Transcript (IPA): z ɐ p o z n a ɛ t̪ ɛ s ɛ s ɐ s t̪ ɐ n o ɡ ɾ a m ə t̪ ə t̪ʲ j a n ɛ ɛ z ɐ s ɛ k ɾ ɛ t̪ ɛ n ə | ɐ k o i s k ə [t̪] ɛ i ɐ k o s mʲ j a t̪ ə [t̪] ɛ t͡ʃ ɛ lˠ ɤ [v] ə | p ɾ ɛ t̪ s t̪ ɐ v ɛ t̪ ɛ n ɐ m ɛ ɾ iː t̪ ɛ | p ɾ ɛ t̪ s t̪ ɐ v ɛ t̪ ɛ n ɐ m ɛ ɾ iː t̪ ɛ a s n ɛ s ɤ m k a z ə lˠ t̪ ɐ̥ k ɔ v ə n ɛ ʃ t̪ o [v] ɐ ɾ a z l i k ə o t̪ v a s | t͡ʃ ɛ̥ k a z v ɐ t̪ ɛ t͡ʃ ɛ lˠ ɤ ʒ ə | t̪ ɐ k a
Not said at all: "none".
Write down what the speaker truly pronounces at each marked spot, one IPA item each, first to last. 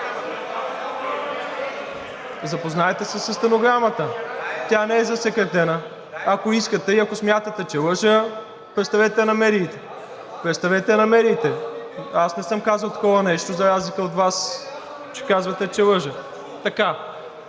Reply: t̪, t̪, ʒ, z

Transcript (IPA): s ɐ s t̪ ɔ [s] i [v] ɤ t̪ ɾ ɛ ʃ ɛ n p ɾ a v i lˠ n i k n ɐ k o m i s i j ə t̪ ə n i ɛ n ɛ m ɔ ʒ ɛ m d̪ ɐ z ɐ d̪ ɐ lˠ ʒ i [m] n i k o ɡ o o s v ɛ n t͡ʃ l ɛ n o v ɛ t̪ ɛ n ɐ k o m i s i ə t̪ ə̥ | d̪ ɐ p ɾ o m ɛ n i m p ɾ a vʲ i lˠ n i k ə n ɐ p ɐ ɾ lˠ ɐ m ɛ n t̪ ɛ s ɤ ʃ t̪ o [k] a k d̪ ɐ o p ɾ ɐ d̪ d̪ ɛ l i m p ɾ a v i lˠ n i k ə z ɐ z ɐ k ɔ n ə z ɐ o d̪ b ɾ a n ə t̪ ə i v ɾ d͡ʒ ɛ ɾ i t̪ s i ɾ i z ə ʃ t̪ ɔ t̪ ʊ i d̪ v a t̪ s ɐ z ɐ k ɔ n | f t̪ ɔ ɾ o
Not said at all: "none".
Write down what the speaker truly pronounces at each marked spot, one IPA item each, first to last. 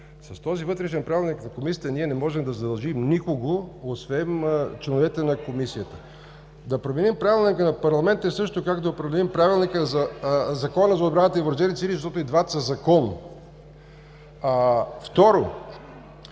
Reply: z, v, m, k

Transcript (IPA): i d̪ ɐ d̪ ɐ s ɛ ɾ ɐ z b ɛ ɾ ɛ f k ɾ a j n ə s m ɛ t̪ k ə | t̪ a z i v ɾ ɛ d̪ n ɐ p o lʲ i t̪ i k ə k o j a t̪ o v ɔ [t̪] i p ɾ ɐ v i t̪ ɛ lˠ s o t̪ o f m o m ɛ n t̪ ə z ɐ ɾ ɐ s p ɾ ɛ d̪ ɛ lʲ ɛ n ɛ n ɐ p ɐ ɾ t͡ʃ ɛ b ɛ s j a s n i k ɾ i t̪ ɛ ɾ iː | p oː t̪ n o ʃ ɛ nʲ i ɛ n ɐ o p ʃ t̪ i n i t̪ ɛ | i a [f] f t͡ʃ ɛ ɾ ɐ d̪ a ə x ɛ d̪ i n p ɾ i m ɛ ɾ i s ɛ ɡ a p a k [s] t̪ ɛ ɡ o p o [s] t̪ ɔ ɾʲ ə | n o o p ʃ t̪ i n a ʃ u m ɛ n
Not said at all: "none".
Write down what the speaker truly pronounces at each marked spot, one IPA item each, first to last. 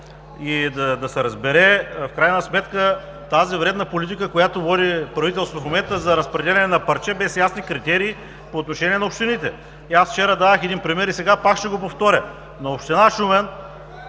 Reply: d̪, s, ʃ, f

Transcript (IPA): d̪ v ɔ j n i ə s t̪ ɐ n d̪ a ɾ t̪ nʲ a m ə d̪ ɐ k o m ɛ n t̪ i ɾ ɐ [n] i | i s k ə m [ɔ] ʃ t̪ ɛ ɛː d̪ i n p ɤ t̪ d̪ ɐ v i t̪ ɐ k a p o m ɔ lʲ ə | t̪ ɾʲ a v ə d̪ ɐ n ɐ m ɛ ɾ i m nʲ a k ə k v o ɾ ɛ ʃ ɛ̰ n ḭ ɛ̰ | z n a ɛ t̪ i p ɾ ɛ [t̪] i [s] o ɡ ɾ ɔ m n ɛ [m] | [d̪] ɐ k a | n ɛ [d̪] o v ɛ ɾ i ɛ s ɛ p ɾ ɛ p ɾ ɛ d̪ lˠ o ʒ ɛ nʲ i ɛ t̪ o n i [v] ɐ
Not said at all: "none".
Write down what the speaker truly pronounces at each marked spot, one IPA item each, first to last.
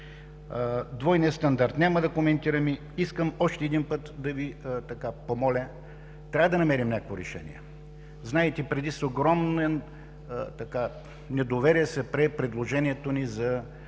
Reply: m, ɔ, d̪, s, n, t̪, d̪, z

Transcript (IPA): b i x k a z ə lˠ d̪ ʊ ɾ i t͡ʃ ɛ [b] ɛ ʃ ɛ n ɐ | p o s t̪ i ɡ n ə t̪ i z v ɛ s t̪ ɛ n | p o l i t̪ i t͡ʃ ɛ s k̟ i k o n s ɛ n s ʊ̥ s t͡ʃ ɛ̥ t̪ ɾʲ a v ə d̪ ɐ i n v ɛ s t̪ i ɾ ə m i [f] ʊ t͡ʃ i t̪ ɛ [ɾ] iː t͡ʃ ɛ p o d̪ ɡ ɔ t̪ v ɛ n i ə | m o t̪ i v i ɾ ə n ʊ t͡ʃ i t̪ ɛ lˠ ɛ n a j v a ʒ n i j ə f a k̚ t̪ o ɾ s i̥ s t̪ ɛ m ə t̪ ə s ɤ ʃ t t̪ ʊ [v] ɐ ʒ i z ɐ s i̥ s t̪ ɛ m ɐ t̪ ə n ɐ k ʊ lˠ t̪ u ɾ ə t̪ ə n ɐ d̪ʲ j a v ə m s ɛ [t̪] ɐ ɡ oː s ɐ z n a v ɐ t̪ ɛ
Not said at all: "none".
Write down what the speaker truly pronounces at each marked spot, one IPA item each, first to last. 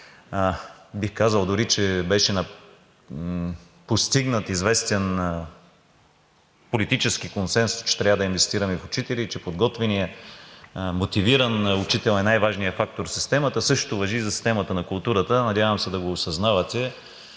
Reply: b, f, l, v, d̪

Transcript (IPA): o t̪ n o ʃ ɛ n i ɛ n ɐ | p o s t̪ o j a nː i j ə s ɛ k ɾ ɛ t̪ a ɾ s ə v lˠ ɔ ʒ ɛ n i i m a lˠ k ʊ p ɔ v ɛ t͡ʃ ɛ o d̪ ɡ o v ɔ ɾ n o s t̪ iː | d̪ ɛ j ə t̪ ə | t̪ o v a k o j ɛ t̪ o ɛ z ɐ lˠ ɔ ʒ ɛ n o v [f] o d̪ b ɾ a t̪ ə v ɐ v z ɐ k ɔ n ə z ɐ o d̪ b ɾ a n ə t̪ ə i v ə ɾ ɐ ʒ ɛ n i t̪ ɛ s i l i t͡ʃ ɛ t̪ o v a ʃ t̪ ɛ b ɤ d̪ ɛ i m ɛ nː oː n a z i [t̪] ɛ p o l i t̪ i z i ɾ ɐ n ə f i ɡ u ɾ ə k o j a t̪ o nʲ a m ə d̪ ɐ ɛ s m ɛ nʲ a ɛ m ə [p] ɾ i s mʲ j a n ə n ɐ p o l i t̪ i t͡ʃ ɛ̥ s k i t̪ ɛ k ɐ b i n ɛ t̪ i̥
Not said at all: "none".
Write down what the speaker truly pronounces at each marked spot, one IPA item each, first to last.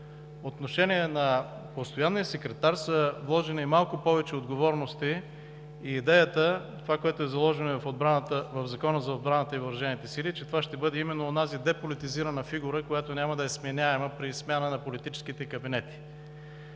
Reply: f, d̪, p

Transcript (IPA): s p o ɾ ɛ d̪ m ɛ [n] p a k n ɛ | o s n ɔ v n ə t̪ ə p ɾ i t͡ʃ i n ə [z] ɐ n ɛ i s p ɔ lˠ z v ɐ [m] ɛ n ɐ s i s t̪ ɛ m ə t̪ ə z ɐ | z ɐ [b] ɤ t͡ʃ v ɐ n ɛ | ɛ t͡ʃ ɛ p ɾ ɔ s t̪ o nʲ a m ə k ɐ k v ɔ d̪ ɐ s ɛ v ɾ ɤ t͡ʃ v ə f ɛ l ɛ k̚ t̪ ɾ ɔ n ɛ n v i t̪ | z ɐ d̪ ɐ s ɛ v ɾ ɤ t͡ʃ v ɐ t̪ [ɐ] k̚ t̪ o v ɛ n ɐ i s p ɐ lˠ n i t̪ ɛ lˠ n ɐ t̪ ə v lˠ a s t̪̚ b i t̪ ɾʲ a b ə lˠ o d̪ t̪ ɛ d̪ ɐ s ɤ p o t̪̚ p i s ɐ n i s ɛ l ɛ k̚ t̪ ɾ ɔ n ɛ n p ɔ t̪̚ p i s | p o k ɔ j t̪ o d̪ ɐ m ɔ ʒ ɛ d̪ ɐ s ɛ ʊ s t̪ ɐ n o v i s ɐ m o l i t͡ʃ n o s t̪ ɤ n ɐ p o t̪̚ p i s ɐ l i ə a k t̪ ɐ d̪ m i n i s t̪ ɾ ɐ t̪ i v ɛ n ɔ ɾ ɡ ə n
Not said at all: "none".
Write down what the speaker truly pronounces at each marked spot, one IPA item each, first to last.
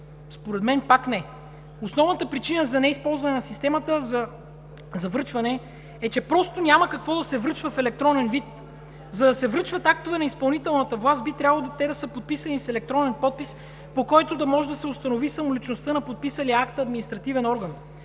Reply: n, z, n, v, a

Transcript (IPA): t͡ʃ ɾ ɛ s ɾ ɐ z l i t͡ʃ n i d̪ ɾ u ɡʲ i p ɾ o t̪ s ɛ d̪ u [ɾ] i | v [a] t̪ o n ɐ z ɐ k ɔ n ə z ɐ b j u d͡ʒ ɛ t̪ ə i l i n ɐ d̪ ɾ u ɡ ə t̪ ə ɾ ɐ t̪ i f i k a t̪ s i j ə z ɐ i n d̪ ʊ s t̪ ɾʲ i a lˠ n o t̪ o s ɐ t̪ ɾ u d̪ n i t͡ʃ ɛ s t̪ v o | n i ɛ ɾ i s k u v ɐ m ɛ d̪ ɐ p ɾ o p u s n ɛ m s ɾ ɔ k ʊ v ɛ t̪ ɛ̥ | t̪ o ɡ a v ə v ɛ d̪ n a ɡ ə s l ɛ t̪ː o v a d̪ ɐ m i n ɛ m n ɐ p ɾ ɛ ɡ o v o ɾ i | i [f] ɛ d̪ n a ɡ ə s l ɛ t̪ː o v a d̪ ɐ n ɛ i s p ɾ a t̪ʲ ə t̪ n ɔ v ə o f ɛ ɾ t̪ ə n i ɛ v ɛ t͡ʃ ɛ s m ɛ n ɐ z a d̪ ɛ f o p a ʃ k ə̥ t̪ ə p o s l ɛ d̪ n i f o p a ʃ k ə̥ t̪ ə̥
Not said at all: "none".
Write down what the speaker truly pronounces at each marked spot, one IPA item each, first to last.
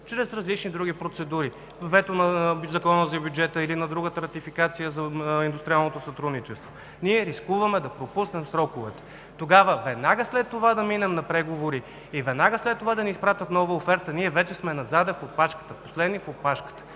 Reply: ɾ, ɛ, v

